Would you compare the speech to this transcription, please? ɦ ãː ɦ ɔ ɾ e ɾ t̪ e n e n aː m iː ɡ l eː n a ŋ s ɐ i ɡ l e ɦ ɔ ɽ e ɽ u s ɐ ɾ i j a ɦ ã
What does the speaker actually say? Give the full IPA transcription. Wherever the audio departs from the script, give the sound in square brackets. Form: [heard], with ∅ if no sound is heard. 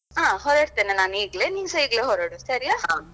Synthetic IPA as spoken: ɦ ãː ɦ ɔ ɾ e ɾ t̪ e n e n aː [n] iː ɡ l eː n [i] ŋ s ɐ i ɡ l e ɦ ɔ [ɾ] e ɽ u s ɐ ɾ i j a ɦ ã